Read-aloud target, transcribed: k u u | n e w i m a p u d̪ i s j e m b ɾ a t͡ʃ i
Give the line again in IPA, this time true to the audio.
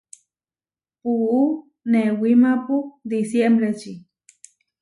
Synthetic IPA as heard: p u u | n e w i m a p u d̪ i s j e m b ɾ e t͡ʃ i